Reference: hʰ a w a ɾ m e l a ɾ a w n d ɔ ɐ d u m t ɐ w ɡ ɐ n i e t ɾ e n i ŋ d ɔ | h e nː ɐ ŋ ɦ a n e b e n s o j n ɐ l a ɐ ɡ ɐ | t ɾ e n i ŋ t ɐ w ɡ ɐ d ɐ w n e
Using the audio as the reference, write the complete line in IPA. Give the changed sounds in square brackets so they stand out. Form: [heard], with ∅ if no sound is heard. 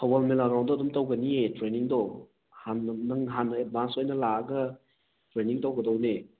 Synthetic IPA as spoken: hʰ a w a [l] m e l a ɾ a w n d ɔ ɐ d u m t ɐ w ɡ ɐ n i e t ɾ e n i ŋ d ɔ | h [a] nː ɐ ŋ ɦ a n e b [a] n s o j n ɐ l a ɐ ɡ ɐ | t ɾ e n i ŋ t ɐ w ɡ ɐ d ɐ w n e